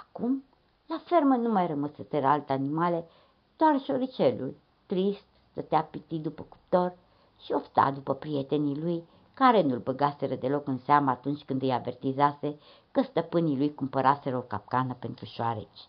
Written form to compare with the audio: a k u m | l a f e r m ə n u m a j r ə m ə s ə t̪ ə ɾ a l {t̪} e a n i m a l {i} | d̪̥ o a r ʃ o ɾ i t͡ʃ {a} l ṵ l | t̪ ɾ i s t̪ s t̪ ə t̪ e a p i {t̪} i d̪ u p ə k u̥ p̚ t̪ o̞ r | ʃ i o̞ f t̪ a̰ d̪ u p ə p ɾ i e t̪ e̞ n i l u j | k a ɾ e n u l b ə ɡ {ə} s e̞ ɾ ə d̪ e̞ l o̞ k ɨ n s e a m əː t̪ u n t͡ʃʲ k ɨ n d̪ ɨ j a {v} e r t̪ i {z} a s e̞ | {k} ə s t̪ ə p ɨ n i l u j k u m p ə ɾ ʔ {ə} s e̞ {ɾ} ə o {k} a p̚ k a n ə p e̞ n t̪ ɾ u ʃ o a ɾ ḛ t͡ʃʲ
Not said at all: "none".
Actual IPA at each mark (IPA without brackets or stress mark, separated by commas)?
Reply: t̪, e, e, t̪, a, v, z, k, a, ɾ, k